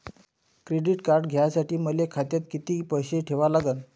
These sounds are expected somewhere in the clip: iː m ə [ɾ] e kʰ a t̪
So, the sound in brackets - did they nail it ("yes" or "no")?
no